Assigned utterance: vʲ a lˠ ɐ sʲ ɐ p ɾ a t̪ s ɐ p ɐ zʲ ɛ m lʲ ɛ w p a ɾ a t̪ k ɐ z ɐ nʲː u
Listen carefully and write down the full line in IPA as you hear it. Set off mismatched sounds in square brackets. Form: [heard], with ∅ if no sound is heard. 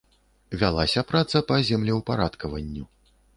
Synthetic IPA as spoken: vʲ a lˠ [a] sʲ ɐ p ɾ a t̪ s ɐ p ɐ zʲ ɛ m lʲ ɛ w p a ɾ a t̪ k ɐ [v] ɐ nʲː u

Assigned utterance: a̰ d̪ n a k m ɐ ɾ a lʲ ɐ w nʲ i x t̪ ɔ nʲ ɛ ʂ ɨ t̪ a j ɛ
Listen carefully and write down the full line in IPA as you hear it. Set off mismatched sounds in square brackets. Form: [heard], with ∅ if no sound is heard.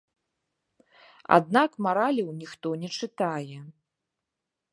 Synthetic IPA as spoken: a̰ d̪ n a k m [a] ɾ a lʲ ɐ w nʲ i x t̪ ɔ nʲ ɛ [t͡ʂ] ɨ t̪ a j ɛ

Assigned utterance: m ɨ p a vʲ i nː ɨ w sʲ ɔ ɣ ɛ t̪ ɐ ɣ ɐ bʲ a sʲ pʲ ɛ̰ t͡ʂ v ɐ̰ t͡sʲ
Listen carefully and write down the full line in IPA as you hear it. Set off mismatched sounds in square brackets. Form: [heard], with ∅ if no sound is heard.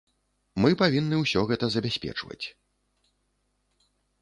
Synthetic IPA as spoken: m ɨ p a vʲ i nː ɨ w sʲ ɔ ɣ ɛ t̪ ɐ [z] ɐ bʲ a sʲ pʲ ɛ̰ t͡ʂ v ɐ̰ t͡sʲ

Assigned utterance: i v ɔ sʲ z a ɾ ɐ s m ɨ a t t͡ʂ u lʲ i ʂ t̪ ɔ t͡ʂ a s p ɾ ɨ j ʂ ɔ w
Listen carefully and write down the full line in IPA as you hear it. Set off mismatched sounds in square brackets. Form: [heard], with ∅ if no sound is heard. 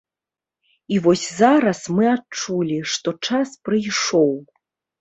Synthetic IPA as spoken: i v ɔ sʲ z a ɾ ɐ s m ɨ a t t͡ʂ u lʲ i ʂ t̪ ɔ t͡ʂ a s p ɾ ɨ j ʂ ɔ w

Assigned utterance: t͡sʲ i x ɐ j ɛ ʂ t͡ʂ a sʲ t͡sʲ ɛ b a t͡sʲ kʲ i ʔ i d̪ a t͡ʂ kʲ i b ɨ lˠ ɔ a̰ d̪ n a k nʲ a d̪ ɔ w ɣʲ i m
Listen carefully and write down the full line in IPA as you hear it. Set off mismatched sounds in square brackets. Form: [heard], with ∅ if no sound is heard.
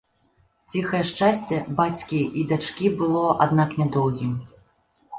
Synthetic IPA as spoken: t͡sʲ i x ɐ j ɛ ʂ t͡ʂ a sʲ t͡sʲ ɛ b a t͡sʲ kʲ i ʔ i d̪ a t͡ʂ kʲ i b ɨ lˠ ɔ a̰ d̪ n a k nʲ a d̪ ɔ w ɣʲ i m

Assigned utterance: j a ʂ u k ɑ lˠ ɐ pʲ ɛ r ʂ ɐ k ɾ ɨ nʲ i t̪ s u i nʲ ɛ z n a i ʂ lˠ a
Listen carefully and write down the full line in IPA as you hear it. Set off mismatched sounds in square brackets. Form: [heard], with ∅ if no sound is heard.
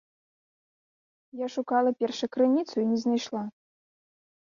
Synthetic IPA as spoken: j a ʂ u k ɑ lˠ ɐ pʲ ɛ r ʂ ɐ k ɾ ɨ nʲ i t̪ s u i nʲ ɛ z n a [j] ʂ lˠ a

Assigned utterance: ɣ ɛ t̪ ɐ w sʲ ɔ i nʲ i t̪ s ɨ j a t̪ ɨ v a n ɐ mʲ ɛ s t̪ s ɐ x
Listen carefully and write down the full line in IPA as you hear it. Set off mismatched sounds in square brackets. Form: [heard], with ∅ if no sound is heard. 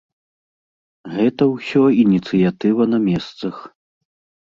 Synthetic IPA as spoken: ɣ ɛ t̪ ɐ w sʲ ɔ i nʲ i t̪ s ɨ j a t̪ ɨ v [ɐ] n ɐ mʲ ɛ s t̪ s ɐ x

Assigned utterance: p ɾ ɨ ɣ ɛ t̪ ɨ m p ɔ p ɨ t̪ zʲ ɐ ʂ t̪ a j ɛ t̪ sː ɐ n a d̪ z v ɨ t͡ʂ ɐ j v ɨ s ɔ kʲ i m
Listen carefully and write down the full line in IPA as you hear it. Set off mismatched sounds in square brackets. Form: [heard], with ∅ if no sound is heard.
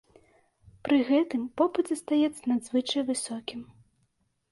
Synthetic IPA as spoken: p ɾ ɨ ɣ ɛ t̪ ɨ m p ɔ p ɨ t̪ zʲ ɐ [s] t̪ a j ɛ t̪ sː ɐ n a d̪ z v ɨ t͡ʂ ɐ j v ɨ s ɔ kʲ i m

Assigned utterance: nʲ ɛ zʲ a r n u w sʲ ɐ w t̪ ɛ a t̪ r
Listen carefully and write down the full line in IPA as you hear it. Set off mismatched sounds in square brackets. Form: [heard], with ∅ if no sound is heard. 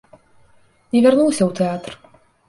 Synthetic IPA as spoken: nʲ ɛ [vʲ] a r n u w sʲ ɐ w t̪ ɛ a t̪ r

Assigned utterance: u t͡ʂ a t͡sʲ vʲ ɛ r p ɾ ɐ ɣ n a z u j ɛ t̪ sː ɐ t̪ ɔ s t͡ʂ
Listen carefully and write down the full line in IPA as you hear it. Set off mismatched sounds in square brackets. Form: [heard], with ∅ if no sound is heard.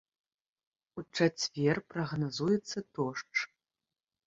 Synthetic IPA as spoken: u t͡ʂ a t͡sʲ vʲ ɛ r p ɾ ɐ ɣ n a z u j ɛ t̪ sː ɐ t̪ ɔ [ʂ] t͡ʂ

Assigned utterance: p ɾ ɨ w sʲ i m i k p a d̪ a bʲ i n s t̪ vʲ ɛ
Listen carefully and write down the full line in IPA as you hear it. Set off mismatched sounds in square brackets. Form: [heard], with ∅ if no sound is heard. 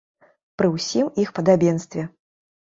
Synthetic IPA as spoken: p ɾ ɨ w sʲ i m i [x] p [ɐ] d̪ a bʲ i n s t̪ vʲ ɛ

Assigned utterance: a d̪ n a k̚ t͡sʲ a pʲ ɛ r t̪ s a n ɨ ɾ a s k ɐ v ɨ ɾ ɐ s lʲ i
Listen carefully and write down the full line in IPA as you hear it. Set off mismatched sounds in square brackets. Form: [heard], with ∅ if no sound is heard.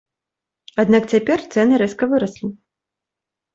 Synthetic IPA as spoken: a d̪ n a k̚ t͡sʲ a pʲ ɛ r t̪ s [ɛ] n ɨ ɾ [ɛ] s k ɐ v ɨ ɾ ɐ s lʲ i

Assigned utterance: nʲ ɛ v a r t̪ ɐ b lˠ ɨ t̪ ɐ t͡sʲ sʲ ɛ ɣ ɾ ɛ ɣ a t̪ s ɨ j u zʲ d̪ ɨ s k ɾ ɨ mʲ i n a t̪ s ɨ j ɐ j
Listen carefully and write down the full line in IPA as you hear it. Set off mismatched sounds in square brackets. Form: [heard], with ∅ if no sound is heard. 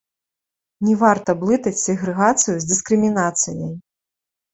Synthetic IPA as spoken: nʲ ɛ v a r t̪ ɐ b lˠ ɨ t̪ ɐ t͡sʲ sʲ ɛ ɣ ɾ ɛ ɣ a t̪ s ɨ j u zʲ d̪ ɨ s k ɾ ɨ mʲ i n a t̪ s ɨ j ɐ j

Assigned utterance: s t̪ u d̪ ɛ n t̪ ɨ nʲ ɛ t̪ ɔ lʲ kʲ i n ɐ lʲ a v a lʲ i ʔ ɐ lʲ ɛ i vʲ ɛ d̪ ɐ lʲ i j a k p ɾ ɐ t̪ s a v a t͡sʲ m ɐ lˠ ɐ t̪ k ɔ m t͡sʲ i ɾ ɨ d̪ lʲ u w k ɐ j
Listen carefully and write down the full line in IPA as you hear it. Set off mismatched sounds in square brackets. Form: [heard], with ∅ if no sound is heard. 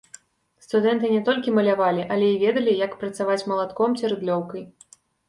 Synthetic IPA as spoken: s t̪ u d̪ ɛ n t̪ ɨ nʲ ɛ t̪ ɔ lʲ kʲ i [m] ɐ lʲ a v a lʲ i ʔ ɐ lʲ ɛ i vʲ ɛ d̪ ɐ lʲ i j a k p ɾ ɐ t̪ s a v a t͡sʲ m ɐ lˠ [a] t̪ k ɔ m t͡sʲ i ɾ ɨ d̪ lʲ [ɔ] w k ɐ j

